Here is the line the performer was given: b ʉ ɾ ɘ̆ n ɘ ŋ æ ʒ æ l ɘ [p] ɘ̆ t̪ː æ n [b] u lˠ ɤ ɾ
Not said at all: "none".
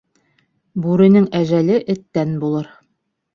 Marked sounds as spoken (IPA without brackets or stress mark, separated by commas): ʔ, b